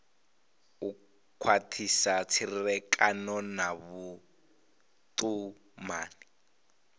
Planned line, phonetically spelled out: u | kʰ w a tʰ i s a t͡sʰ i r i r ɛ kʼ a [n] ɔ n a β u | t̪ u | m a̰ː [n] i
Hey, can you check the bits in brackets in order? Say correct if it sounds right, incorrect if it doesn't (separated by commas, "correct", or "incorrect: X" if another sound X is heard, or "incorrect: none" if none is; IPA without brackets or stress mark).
correct, correct